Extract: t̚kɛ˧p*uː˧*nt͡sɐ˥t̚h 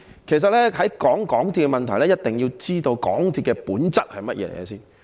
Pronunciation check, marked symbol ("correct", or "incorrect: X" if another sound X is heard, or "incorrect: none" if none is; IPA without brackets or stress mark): incorrect: uː˨˥